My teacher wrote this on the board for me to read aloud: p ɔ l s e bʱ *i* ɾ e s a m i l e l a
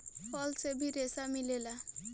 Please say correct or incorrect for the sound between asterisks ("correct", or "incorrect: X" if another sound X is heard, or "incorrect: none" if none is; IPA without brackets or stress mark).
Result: correct